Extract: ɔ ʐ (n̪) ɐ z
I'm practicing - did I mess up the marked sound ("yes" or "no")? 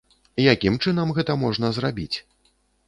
no